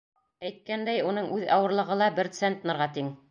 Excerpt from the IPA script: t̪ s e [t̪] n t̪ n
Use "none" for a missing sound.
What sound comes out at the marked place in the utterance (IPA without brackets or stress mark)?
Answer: none